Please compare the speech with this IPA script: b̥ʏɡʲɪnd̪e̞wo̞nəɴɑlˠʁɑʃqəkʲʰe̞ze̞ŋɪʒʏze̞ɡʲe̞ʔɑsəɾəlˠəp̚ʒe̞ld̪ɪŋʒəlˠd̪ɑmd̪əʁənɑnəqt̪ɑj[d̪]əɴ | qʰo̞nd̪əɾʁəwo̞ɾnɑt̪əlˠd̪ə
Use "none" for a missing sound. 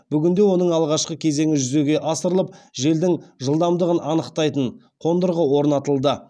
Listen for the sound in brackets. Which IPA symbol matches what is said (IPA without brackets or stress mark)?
t̪